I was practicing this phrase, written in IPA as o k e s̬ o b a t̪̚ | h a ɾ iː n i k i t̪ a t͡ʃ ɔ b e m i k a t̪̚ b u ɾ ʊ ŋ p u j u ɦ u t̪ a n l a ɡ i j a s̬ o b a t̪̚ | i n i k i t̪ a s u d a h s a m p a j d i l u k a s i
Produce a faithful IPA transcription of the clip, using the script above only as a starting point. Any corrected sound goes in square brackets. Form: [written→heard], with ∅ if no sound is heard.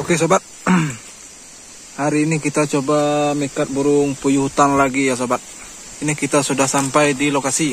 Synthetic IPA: o k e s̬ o b a t̪̚ | h a ɾ iː n i k i t̪ a t͡ʃ [ɔ→o] b [e→a] m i k a t̪̚ b u ɾ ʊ ŋ p u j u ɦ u t̪ a n l a ɡ i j a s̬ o b a t̪̚ | i n i k i t̪ a s u d a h s a m p a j d i l [u→o] k a s i